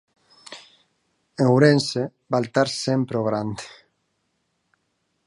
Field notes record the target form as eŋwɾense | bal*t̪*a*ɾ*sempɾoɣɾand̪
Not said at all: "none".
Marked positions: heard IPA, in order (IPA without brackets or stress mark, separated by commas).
t̪, ɾ